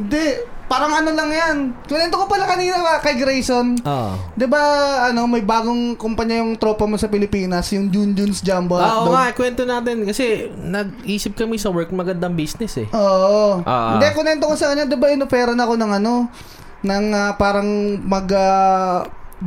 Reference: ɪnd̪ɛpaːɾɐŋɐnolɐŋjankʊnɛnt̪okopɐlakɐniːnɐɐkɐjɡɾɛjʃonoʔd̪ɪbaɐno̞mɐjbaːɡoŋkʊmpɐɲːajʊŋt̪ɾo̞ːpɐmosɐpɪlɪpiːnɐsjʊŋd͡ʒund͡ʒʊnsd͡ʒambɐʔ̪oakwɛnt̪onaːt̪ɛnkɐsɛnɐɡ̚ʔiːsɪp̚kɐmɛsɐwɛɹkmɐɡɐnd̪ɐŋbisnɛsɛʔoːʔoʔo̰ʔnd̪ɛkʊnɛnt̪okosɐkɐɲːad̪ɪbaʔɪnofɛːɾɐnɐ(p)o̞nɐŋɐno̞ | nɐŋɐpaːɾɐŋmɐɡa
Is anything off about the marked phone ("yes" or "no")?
yes